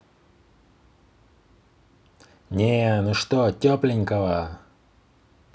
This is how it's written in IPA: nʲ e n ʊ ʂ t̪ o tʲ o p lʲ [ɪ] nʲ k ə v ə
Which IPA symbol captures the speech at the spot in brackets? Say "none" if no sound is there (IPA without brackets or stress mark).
ɪ